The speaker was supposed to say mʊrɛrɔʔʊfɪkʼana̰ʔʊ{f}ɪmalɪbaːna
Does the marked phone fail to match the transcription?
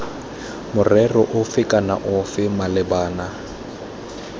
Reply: no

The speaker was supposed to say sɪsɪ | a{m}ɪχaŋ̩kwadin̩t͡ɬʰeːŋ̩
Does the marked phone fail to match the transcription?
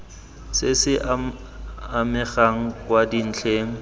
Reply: no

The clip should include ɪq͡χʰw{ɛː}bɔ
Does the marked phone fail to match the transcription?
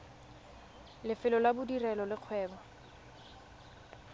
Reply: no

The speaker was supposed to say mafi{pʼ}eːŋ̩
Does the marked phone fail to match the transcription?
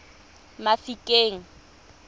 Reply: yes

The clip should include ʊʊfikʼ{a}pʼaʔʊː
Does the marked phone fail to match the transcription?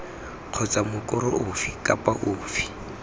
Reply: no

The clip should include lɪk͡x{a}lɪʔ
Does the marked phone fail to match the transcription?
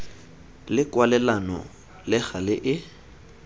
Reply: no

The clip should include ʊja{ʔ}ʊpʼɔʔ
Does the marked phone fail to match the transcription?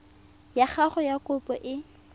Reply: yes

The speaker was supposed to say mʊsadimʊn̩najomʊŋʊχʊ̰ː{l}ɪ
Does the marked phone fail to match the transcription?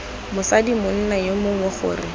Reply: yes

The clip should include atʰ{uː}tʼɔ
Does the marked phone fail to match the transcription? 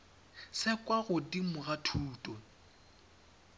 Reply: no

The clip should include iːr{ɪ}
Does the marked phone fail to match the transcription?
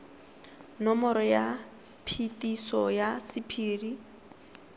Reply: yes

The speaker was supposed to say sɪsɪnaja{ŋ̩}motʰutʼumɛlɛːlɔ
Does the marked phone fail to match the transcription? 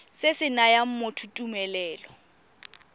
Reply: yes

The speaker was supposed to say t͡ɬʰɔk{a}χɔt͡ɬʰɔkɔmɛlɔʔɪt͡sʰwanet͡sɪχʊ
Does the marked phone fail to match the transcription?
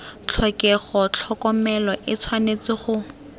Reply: yes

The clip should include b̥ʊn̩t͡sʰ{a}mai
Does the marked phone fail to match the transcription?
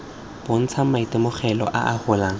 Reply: no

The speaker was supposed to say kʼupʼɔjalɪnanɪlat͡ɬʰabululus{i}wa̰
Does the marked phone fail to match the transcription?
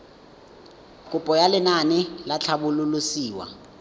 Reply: yes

